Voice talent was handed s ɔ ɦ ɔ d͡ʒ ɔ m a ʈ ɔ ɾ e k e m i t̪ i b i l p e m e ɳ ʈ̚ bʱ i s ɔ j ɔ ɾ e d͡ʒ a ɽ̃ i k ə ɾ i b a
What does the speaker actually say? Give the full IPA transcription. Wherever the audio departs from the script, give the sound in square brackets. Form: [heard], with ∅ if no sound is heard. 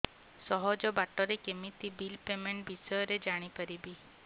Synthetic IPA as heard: s ɔ ɦ ɔ d͡ʒ ɔ [b] a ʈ ɔ ɾ e k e m i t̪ i b i l p e m e ɳ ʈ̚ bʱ i s ɔ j ɔ ɾ e d͡ʒ a ɽ̃ i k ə ɾ i b [i]